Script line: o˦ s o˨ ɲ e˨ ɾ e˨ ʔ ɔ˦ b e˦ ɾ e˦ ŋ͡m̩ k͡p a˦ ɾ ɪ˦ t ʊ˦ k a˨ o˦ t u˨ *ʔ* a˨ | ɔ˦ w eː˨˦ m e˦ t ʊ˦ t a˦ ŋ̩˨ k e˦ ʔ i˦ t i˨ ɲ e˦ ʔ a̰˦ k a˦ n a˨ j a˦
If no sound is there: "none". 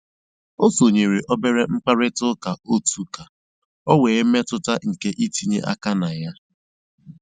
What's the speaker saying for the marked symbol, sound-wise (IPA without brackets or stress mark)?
k